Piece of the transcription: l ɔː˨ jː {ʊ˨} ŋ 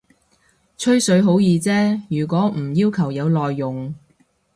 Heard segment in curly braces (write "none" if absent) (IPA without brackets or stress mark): ʊ˨